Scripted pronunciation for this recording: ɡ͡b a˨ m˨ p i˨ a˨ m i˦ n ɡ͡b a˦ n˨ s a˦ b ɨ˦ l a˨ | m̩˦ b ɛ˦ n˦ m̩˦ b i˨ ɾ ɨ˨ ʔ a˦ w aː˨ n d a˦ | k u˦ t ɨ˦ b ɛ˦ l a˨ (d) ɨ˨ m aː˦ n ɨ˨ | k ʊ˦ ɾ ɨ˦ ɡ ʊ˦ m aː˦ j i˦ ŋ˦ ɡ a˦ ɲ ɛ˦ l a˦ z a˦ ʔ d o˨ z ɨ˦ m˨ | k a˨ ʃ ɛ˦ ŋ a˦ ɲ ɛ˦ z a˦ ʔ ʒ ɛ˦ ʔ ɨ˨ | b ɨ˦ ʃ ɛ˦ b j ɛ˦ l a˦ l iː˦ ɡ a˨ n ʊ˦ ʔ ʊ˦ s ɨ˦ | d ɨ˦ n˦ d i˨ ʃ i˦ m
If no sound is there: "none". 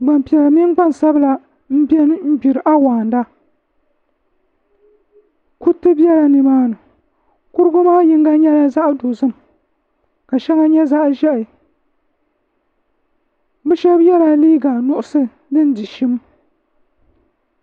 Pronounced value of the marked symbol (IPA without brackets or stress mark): n